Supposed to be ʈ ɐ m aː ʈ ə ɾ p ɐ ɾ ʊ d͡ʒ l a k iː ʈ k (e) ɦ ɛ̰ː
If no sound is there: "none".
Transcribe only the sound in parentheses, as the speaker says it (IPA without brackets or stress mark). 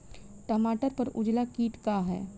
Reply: a